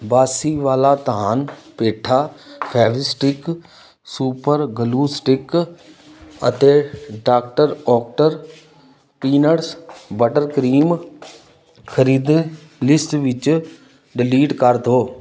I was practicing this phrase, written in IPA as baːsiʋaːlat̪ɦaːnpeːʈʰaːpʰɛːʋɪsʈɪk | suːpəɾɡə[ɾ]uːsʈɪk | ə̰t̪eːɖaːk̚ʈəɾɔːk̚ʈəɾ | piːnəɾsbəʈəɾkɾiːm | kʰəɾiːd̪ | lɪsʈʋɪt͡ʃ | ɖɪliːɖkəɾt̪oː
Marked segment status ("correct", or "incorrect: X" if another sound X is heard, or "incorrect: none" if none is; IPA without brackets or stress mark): incorrect: l